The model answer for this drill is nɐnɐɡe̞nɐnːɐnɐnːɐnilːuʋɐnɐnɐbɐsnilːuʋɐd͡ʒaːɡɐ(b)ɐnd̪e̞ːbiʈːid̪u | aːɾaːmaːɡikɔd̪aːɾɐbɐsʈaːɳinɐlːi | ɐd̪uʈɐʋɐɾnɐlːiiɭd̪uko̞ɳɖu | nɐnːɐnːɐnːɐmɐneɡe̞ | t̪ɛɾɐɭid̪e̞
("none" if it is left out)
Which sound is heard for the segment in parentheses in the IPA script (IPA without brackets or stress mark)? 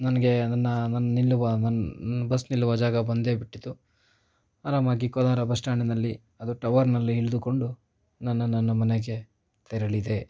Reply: b